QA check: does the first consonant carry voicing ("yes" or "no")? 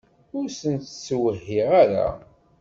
yes